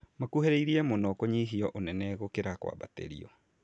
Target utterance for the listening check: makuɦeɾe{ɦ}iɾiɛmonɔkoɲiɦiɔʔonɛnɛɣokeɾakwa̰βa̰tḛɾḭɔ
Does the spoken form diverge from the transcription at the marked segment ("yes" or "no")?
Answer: yes